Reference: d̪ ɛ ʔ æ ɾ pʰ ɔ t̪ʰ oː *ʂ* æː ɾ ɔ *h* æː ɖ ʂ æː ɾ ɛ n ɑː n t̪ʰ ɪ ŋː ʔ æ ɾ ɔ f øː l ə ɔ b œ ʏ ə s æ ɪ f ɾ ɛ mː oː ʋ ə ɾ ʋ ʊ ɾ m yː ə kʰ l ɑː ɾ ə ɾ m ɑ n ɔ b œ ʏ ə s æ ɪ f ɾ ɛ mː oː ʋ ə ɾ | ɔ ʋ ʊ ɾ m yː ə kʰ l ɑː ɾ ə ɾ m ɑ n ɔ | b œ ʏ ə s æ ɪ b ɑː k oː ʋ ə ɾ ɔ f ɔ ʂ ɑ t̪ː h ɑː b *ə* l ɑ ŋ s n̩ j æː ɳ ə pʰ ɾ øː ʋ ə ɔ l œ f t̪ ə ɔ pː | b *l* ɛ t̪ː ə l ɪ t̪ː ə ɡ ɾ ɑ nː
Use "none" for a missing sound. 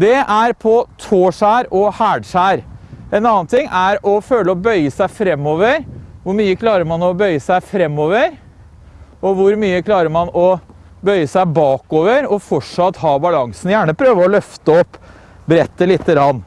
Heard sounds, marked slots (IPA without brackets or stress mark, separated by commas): ʂ, h, ɑ, ɾ